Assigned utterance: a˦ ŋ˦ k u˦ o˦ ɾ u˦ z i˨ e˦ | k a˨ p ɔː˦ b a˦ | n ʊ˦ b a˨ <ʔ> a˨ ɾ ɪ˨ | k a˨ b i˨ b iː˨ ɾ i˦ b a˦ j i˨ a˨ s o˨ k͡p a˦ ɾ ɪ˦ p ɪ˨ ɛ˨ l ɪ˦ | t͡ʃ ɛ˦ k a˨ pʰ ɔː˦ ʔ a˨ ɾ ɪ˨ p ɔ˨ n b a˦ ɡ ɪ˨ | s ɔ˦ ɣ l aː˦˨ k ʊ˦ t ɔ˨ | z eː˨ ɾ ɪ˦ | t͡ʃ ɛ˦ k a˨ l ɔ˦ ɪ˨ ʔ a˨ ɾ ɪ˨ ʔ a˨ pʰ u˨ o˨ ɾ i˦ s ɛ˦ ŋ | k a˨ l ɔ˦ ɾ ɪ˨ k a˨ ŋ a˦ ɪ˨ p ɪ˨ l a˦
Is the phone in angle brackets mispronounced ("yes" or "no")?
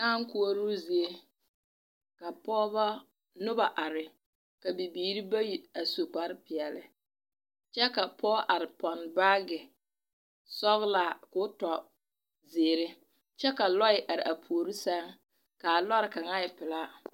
no